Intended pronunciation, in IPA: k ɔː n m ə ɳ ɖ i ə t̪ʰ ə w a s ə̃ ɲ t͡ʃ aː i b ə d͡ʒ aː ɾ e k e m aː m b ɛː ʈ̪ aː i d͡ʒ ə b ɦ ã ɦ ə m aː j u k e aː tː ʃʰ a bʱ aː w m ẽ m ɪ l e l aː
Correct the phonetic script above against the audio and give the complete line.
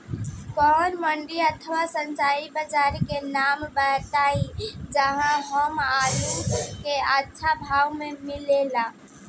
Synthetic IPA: k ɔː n m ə ɳ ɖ i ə t̪ʰ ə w a s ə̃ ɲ t͡ʃ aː i b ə d͡ʒ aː ɾ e k e n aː m b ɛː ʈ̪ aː i d͡ʒ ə ɦ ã ɦ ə m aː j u k e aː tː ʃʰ a bʱ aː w m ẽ m ɪ l e l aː